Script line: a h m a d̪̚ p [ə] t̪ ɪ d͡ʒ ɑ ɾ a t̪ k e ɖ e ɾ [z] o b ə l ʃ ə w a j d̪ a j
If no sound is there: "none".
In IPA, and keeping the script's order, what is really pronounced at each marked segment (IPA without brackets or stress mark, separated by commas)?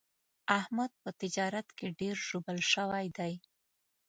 ə, ʒ